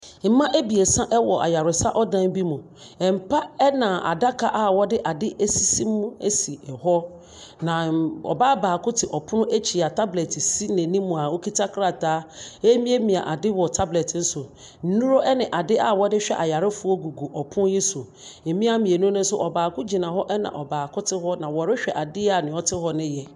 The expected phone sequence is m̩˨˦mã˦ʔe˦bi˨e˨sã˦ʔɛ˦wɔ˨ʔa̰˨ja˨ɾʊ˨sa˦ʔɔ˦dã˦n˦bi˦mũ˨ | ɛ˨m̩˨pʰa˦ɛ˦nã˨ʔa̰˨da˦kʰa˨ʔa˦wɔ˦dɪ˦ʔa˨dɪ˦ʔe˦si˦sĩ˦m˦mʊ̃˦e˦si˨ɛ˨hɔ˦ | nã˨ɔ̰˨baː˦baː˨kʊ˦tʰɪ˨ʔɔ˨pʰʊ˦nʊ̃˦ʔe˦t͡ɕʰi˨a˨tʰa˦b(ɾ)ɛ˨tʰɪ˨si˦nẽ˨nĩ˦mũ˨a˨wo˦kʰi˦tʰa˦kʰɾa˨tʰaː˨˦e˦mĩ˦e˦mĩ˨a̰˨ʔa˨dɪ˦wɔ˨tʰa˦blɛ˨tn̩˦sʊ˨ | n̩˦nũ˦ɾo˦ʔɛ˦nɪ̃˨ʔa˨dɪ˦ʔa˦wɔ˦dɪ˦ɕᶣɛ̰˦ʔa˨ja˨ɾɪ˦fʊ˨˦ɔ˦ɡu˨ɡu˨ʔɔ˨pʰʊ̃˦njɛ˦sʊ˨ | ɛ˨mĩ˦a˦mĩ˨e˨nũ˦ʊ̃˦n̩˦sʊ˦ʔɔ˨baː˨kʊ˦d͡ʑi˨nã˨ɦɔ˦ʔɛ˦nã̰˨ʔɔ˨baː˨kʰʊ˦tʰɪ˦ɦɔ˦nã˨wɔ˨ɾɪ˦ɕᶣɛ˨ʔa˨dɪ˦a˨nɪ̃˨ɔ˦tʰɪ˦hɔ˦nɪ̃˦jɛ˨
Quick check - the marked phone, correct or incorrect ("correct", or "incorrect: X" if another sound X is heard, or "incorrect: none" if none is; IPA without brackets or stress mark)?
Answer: incorrect: l